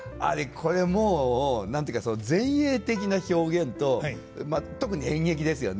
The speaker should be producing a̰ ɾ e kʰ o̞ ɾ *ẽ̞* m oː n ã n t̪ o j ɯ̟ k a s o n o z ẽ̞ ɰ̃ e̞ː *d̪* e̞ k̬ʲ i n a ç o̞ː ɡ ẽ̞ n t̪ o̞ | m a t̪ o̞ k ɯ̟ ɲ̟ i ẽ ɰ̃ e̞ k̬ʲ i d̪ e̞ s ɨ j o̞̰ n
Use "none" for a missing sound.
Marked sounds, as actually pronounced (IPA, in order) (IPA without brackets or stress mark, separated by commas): e̞, t̪